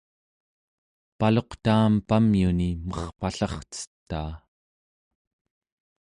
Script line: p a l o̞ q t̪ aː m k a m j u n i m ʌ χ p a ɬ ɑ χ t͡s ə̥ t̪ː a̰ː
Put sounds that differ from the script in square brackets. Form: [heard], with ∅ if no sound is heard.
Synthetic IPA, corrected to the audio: p a l o̞ q t̪ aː m [p] a m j u n i m ʌ χ p a ɬ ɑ χ t͡s ə̥ t̪ː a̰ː